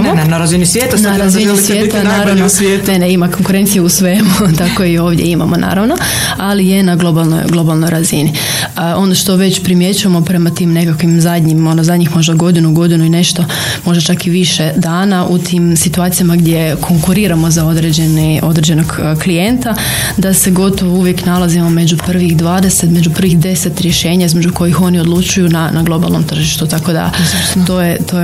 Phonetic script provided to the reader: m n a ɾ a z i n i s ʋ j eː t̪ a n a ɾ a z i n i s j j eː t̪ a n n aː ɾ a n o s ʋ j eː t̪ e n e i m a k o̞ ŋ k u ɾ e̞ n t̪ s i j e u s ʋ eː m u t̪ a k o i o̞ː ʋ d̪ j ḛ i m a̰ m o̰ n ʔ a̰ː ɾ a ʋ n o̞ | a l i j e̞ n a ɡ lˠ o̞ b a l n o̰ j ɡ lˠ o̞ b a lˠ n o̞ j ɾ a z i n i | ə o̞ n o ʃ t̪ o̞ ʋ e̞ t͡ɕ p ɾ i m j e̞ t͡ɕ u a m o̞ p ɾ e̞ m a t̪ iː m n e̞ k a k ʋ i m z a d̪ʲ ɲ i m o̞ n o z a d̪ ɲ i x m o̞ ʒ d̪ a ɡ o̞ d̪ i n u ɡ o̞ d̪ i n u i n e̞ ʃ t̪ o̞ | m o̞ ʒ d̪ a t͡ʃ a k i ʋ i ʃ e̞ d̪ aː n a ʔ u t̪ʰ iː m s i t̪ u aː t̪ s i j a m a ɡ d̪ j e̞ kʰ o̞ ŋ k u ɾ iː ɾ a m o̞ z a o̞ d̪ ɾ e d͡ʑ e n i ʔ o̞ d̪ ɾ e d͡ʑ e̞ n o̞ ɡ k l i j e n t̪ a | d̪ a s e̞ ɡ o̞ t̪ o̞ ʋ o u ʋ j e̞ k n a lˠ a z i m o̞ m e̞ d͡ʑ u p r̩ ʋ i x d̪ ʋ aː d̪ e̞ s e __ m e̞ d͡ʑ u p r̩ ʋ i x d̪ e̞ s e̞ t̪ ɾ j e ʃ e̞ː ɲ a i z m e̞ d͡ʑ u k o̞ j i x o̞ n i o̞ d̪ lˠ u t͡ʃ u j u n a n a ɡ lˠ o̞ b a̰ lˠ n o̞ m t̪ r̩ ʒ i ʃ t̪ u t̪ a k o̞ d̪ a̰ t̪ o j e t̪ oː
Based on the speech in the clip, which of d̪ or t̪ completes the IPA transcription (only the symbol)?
t̪